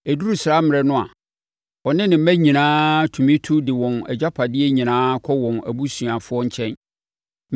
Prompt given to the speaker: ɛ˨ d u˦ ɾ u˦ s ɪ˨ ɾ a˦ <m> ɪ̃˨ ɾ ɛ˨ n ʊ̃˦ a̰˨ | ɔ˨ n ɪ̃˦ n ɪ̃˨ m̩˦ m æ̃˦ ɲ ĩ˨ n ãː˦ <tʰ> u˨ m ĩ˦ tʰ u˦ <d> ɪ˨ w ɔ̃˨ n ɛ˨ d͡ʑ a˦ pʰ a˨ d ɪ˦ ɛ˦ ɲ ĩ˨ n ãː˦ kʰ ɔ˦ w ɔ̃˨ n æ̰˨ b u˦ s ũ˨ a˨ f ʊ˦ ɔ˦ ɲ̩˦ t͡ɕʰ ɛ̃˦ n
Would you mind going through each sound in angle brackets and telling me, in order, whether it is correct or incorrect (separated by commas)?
correct, correct, correct